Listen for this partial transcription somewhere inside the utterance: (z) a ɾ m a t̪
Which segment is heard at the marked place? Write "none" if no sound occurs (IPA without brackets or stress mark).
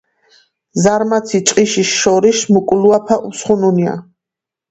z